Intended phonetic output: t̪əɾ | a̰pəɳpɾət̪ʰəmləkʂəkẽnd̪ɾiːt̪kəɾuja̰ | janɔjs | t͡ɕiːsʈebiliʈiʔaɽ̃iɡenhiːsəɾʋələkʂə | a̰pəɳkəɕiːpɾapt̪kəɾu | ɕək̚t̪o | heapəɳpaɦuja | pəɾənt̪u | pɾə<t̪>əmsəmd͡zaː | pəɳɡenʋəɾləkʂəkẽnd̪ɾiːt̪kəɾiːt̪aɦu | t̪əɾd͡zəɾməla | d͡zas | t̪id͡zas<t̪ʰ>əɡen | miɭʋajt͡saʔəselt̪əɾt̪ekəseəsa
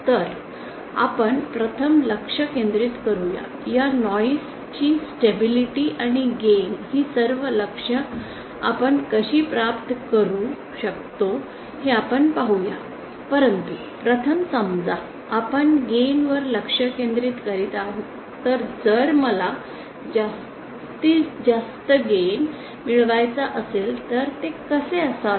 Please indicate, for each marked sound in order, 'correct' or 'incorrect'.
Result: incorrect, incorrect

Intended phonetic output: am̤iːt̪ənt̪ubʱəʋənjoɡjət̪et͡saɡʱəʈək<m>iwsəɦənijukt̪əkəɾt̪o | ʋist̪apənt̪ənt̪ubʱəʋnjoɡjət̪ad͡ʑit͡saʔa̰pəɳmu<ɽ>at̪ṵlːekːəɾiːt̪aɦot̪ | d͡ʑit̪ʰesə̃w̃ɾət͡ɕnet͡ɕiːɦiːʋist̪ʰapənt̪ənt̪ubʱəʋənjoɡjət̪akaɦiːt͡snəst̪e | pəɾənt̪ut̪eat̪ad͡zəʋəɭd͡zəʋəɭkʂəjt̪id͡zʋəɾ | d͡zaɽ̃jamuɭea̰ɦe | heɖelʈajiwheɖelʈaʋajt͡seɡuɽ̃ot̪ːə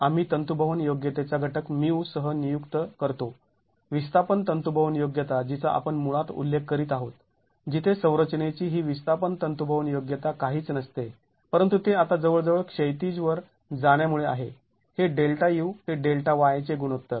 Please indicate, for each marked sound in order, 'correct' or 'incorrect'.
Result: correct, incorrect

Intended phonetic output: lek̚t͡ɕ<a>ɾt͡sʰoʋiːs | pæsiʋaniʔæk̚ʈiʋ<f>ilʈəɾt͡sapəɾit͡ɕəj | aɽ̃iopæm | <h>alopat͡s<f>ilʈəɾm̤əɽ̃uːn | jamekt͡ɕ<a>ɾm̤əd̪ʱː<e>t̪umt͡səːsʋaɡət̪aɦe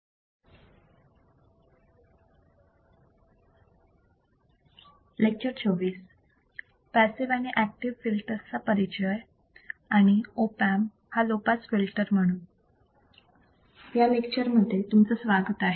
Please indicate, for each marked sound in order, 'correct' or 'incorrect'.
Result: incorrect, correct, correct, correct, incorrect, correct

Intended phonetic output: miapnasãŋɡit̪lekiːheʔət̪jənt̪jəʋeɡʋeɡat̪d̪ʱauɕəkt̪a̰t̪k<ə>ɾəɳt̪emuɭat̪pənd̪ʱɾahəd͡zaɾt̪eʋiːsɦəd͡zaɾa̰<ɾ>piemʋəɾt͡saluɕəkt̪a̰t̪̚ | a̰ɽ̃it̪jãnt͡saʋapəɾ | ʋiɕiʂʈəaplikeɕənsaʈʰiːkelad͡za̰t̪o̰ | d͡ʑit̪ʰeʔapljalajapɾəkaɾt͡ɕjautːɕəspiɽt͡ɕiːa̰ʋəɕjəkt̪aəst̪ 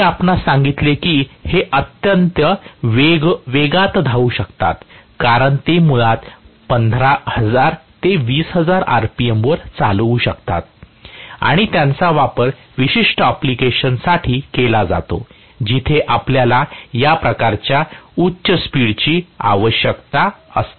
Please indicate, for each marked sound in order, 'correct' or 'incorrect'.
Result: incorrect, correct

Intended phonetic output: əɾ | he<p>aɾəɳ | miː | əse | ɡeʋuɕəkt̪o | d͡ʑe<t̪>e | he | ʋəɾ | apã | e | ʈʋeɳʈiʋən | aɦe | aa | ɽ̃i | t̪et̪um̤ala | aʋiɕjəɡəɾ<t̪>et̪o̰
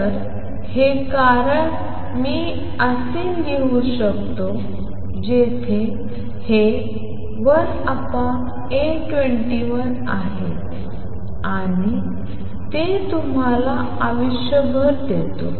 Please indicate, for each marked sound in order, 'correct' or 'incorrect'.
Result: incorrect, incorrect, incorrect

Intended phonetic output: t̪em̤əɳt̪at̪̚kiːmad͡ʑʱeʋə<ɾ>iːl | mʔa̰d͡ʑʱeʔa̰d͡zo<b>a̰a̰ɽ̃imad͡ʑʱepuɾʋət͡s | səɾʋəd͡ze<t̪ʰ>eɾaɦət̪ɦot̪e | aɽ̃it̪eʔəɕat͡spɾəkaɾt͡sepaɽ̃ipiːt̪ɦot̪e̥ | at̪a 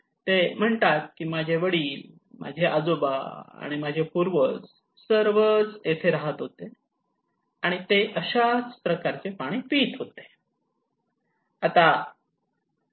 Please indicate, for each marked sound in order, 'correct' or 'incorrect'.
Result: incorrect, correct, correct

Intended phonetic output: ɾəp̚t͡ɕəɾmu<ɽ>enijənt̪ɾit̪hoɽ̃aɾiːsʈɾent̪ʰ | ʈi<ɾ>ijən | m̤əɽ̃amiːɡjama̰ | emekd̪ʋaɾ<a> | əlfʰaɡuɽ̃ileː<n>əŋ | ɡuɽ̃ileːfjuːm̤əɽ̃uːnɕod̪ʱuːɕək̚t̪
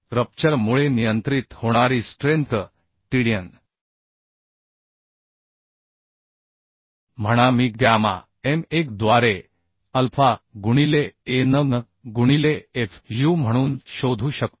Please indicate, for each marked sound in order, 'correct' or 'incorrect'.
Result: incorrect, incorrect, incorrect, correct

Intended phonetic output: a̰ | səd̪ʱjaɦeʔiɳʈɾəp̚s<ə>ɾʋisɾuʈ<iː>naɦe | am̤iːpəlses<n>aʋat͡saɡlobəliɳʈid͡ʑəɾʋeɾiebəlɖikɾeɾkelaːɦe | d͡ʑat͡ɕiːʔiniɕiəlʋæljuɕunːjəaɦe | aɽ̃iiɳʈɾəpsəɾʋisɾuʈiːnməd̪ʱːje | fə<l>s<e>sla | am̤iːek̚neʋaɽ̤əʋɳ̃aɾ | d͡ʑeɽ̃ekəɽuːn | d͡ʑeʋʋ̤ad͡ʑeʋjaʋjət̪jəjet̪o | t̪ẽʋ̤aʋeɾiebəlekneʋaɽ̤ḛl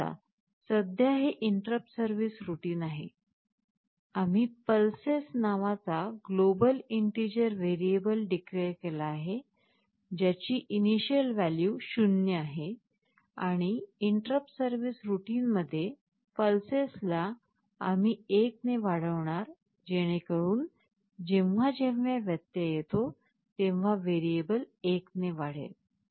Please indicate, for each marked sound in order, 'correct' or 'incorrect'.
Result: correct, correct, correct, correct, correct

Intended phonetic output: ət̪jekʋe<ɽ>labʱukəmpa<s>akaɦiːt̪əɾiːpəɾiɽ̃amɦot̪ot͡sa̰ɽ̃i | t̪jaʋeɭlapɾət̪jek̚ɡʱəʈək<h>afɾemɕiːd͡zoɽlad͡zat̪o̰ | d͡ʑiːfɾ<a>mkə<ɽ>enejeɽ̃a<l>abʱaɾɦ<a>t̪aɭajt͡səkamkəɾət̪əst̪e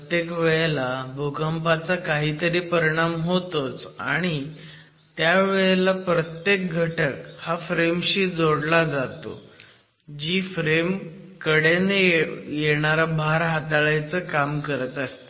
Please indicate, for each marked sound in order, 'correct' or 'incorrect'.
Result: incorrect, incorrect, correct, incorrect, correct, incorrect, correct

